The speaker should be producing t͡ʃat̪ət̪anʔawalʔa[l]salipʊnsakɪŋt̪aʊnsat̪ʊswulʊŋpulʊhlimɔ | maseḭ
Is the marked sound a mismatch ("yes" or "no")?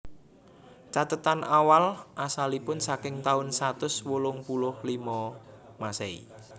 yes